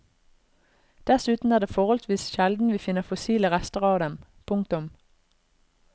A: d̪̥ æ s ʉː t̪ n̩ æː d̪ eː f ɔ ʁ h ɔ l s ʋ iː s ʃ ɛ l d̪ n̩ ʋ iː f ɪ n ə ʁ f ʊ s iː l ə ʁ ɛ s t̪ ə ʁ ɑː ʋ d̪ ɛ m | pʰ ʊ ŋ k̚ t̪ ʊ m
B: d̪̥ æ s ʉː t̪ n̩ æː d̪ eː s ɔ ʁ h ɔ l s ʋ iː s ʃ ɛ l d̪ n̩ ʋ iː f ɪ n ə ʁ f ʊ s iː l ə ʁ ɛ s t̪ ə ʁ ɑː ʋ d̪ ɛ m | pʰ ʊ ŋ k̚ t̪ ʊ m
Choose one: A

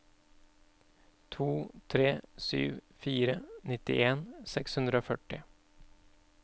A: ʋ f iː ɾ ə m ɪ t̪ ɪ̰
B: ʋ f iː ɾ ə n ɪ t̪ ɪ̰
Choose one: B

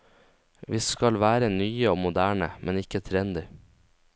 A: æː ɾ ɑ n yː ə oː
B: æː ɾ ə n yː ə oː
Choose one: B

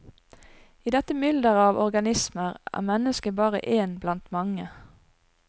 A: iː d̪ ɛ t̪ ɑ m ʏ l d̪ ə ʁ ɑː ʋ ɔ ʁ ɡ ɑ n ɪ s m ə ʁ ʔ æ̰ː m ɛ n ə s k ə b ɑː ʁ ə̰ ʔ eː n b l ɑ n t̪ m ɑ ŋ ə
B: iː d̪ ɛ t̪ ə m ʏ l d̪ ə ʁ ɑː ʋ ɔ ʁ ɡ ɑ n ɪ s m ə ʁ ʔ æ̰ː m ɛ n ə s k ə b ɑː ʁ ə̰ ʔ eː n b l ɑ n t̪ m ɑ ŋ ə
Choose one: B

